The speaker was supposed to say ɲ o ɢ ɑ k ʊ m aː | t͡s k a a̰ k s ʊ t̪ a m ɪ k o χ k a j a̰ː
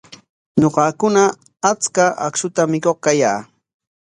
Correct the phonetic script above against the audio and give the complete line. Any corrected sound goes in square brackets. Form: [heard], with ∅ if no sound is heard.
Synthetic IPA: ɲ o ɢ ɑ k ʊ [n] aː | t͡s k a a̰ k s ʊ t̪ a m ɪ k o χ k a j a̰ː